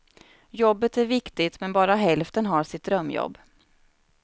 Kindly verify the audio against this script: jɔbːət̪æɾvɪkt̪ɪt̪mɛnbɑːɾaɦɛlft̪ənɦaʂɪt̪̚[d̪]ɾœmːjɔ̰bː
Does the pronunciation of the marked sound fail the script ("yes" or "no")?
no